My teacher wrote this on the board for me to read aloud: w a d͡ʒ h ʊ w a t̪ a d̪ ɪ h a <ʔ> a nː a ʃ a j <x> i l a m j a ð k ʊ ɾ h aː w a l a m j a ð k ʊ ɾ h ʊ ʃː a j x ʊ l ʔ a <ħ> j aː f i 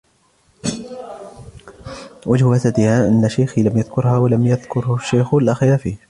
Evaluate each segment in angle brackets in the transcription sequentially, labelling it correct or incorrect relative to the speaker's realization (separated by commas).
correct, correct, incorrect